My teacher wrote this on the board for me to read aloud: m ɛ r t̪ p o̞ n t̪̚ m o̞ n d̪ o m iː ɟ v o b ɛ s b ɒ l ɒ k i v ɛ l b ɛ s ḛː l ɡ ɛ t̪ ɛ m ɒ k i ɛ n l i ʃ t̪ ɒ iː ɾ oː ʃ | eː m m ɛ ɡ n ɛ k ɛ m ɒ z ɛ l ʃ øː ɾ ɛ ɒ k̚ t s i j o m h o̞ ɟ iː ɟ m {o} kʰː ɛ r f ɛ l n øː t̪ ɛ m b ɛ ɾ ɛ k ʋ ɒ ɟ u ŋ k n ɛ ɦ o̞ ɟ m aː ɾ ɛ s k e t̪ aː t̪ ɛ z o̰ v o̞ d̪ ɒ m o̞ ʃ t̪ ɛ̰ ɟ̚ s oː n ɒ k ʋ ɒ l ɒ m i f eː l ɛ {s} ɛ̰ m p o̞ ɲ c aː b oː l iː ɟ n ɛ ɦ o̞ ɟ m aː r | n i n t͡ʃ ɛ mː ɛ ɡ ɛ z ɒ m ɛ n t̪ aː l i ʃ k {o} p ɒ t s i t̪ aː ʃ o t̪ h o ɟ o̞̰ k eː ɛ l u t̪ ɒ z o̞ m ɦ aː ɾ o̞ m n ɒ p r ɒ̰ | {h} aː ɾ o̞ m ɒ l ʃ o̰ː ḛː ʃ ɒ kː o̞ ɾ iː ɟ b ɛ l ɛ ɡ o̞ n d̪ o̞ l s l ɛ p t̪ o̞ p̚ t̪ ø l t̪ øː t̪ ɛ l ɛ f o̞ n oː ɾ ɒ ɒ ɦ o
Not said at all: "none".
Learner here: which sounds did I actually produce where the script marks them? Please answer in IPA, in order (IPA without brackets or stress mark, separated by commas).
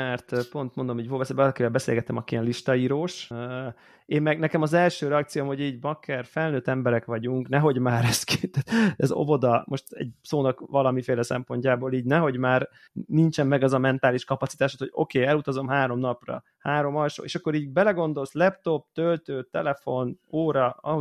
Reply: ɒ, s, ɒ, h